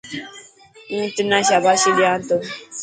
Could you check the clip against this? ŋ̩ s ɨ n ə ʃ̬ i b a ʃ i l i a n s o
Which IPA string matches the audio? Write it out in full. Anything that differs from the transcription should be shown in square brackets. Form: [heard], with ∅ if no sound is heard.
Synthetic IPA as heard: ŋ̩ [t] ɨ n [a] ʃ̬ [a] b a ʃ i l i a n [t] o